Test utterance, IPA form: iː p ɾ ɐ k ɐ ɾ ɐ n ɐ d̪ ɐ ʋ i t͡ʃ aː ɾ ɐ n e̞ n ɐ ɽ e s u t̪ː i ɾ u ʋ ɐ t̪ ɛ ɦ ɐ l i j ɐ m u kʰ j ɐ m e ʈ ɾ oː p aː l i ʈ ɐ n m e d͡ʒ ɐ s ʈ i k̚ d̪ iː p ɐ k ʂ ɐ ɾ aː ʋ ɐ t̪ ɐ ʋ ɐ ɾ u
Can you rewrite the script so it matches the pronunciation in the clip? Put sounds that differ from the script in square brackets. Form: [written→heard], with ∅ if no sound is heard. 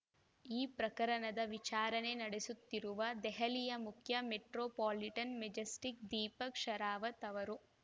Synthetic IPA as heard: iː p ɾ ɐ k ɐ ɾ ɐ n ɐ d̪ ɐ ʋ i t͡ʃ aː ɾ ɐ n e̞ n ɐ ɽ e s u t̪ː i ɾ u ʋ ɐ [t̪→d̪] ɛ ɦ ɐ l i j ɐ m u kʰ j ɐ m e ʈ ɾ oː p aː l i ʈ ɐ n m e d͡ʒ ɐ s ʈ i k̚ d̪ iː p ɐ k ʂ ɐ ɾ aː ʋ ɐ t̪ ɐ ʋ ɐ ɾ u